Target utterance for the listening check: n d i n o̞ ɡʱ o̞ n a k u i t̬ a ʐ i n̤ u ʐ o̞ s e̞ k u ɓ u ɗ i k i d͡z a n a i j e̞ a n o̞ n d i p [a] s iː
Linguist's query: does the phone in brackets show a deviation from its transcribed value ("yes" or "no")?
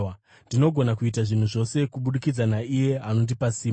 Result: no